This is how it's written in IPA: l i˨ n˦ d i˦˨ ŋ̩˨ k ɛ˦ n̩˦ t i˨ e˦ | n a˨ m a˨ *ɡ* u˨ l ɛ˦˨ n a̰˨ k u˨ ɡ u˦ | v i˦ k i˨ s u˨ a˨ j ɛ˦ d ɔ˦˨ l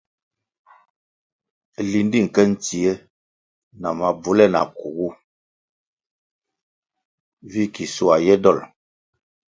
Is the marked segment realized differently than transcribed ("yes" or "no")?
yes